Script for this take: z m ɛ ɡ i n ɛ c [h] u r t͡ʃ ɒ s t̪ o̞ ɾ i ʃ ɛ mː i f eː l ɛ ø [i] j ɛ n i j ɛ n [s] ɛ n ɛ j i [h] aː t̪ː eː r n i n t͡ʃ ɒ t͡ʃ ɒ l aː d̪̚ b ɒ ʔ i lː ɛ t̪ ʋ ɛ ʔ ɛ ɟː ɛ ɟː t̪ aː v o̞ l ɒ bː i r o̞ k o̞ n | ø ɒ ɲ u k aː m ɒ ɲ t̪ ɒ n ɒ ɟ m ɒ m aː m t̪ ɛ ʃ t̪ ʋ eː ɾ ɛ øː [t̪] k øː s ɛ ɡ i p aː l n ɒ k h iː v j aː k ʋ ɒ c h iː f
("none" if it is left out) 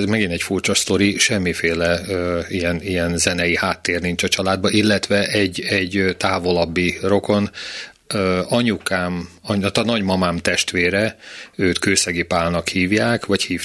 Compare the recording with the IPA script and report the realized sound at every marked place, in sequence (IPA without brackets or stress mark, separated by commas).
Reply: f, i, z, h, t̪